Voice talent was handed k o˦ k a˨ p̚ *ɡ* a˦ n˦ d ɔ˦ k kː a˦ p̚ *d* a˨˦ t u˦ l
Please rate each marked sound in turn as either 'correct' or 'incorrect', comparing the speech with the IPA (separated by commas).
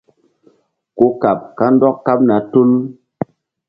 incorrect, incorrect